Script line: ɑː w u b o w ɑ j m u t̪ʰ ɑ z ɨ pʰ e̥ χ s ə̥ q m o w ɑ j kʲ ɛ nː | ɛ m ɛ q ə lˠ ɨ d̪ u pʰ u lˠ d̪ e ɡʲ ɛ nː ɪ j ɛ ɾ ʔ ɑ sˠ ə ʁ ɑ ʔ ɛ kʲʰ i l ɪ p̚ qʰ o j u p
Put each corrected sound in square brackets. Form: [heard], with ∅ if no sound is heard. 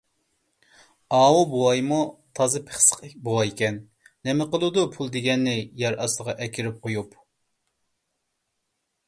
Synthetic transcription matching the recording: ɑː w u b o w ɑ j m u t̪ʰ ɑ z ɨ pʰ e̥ χ s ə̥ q [b] o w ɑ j kʲ ɛ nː | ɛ m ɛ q ə lˠ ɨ d̪ u pʰ u lˠ d̪ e ɡʲ ɛ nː ɪ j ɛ ɾ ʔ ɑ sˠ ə ʁ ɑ ʔ ɛ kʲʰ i [ɾ] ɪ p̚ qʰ o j u p